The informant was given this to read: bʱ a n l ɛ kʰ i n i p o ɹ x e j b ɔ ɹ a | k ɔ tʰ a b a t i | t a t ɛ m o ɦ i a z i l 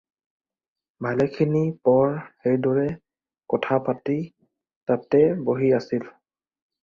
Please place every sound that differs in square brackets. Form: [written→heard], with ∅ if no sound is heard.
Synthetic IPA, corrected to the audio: bʱ a [n→∅] l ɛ kʰ i n i p [o→ɔ] ɹ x e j [b→d] ɔ ɹ [a→ɛ] | k ɔ tʰ a [b→p] a t i | t a t ɛ [m→b] o ɦ i a [z→s] i l

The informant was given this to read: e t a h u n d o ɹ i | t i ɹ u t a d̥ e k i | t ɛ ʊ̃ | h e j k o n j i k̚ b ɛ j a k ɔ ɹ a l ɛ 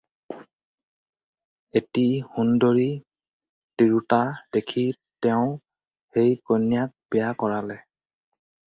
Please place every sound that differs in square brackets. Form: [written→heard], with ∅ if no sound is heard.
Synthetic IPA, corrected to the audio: e t [a→i] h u n d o ɹ i | t i ɹ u t a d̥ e [k→kʰ] i | t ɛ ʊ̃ | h e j k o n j [i→a] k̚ b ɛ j a k ɔ ɹ a l ɛ

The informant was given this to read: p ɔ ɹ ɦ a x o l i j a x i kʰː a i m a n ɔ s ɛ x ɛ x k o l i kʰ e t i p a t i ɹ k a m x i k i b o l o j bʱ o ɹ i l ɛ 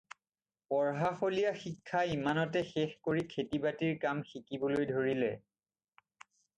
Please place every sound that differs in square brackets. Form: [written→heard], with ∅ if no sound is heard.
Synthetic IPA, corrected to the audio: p ɔ ɹ ɦ a x o l i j a x i kʰː a i m a n ɔ [s→t] ɛ x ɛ x k o [l→ɹ] i kʰ e t i [p→b] a t i ɹ k a m x i k i b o l o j [bʱ→dʱ] o ɹ i l ɛ

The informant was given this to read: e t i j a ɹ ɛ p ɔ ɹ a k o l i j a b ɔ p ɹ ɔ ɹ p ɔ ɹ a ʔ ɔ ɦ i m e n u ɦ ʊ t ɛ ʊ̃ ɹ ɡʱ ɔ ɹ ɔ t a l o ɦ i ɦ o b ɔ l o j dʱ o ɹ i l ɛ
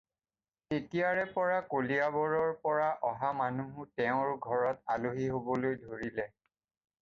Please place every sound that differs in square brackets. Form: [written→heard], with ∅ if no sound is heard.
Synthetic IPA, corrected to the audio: e t i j a ɹ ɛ p ɔ ɹ a k o l i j a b ɔ [p→∅] ɹ ɔ ɹ p ɔ ɹ a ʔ ɔ ɦ [i→a] m [e→a] n u ɦ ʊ t ɛ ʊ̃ ɹ ɡʱ ɔ ɹ ɔ t a l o ɦ i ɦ o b ɔ l o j dʱ o ɹ i l ɛ

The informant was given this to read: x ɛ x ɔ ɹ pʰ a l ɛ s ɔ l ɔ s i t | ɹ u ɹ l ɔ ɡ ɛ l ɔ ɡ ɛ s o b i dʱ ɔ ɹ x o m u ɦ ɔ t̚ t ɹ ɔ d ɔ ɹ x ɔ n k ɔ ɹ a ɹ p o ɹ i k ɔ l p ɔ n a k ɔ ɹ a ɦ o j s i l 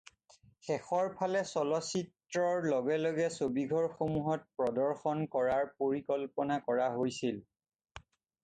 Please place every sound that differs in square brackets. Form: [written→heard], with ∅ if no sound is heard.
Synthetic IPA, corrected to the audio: x ɛ x ɔ ɹ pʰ a l ɛ s ɔ l ɔ s i t | ɹ [u→ɔ] ɹ l ɔ ɡ ɛ l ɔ ɡ ɛ s o b i [dʱ→ɡʱ] ɔ ɹ x o m u ɦ ɔ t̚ [t→p] ɹ ɔ d ɔ ɹ x ɔ n k ɔ ɹ a ɹ p o ɹ i k ɔ l p ɔ n a k ɔ ɹ a ɦ o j s i l

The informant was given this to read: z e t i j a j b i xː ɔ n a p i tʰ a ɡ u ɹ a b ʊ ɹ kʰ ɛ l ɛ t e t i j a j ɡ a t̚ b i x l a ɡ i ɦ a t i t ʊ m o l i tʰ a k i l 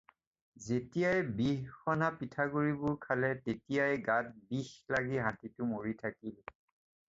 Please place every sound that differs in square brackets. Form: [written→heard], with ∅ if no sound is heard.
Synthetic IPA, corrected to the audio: z e t i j a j b i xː ɔ n a p i tʰ a ɡ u ɹ [a→i] b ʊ ɹ kʰ [ɛ→a] l ɛ t e t i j a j ɡ a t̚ b i x l a ɡ i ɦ a t i t ʊ m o [l→ɹ] i tʰ a k i l

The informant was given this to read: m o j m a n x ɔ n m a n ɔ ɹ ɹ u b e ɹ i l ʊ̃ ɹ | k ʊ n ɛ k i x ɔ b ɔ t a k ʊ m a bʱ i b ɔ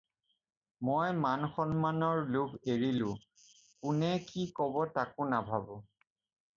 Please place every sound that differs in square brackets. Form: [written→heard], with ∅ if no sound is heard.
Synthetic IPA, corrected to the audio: m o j m a n x ɔ n m a n ɔ ɹ [ɹ→l] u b e ɹ i l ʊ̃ [ɹ→∅] | k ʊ n ɛ k i [x→k] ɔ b ɔ t a k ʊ [m→n] a bʱ [i→a] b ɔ

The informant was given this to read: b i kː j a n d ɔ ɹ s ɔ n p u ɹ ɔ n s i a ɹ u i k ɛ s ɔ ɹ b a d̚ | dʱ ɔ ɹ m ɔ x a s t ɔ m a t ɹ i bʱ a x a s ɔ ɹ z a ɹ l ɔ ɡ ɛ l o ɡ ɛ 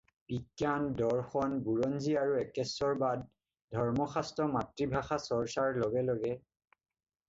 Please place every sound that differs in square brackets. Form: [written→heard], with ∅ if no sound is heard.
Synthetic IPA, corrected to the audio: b i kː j a n d ɔ ɹ [s→x] ɔ n [p→b] u ɹ ɔ n [s→z] i a ɹ u [i→ɛ] k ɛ s ɔ ɹ b a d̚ | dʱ ɔ ɹ m ɔ x a s t ɔ m a t ɹ i bʱ a x a s ɔ ɹ [z→s] a ɹ l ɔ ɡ ɛ l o ɡ ɛ

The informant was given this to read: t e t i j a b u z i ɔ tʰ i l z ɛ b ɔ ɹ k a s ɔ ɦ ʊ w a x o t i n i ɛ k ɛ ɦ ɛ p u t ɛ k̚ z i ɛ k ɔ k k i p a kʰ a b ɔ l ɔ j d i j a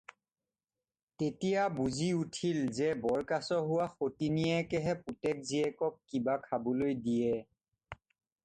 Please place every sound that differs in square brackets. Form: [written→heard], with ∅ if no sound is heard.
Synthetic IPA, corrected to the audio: t e t i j a b u z i [ɔ→u] tʰ i l z ɛ b ɔ ɹ k a s ɔ ɦ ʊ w a x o t i n i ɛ k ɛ ɦ ɛ p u t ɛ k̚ z i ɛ k ɔ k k i [p→b] a kʰ a b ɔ l [ɔ→o] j d i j [a→ɛ]

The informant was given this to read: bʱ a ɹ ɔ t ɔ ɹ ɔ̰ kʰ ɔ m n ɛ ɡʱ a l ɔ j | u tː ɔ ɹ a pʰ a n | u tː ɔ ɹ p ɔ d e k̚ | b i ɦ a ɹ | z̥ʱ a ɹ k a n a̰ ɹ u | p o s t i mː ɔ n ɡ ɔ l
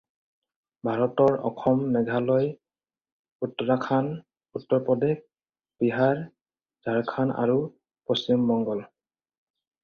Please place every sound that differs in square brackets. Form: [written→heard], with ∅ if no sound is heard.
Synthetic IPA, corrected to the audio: bʱ a ɹ ɔ t ɔ ɹ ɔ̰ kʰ ɔ m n ɛ ɡʱ a l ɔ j | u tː ɔ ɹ a [pʰ→kʰ] a n | u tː ɔ ɹ p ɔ d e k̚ | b i ɦ a ɹ | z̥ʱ a ɹ [k→kʰ] a n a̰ ɹ u | p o s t i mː ɔ [n→ŋ] ɡ ɔ l

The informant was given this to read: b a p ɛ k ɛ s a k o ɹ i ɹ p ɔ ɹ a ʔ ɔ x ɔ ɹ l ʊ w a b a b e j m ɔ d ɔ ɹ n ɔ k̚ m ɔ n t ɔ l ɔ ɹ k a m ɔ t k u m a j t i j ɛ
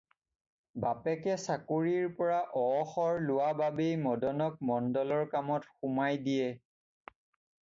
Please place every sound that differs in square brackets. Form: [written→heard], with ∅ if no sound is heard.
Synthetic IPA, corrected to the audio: b a p ɛ k ɛ s a k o ɹ i ɹ p ɔ ɹ a ʔ ɔ x ɔ ɹ l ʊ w a b a b e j m ɔ d ɔ [ɹ→∅] n ɔ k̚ m ɔ n [t→d] ɔ l ɔ ɹ k a m ɔ t [k→x] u m a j [t→d] i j ɛ

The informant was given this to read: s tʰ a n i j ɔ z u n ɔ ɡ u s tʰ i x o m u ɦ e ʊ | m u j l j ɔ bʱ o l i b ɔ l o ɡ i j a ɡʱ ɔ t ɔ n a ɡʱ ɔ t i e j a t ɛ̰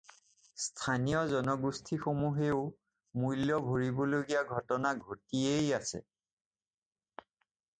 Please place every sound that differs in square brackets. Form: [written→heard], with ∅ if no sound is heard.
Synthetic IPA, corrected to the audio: s tʰ a n i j ɔ z [u→ɔ] n ɔ ɡ u s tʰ i x o m u ɦ e ʊ | m u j l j ɔ bʱ o [l→ɹ] i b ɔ l o ɡ i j a ɡʱ ɔ t ɔ n a ɡʱ [ɔ→o] t i e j a [t→s] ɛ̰

